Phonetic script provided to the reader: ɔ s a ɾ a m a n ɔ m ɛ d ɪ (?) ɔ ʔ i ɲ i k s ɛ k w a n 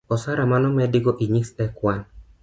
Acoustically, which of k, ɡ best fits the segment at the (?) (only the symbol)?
ɡ